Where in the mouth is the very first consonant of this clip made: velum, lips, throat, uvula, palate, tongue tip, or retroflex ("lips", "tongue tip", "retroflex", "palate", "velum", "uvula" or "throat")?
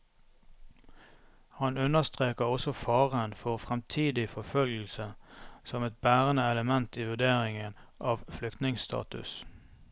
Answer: throat